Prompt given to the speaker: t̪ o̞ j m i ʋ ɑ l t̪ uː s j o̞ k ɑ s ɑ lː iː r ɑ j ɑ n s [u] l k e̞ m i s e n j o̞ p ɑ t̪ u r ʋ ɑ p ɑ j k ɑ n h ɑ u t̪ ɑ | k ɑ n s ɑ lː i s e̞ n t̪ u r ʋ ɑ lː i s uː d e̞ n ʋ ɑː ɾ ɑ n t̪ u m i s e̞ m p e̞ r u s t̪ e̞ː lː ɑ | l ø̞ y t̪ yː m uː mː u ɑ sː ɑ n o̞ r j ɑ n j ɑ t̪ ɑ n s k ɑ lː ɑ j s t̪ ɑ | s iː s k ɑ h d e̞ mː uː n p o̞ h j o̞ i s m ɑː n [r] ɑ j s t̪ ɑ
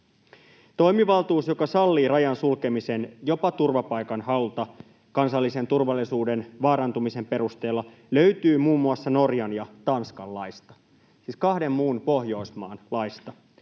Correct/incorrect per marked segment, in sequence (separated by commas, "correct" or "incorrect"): correct, incorrect